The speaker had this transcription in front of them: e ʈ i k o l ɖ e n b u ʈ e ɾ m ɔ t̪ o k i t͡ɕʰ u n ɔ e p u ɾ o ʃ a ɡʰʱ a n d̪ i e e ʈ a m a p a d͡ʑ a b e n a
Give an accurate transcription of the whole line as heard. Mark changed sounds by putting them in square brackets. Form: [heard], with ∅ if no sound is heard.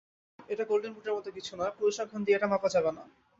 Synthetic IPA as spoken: e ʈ [a] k o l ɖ e n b u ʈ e ɾ m ɔ t̪ o k i t͡ɕʰ u n ɔ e p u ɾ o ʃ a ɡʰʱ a n d̪ i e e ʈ a m a p a d͡ʑ a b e n a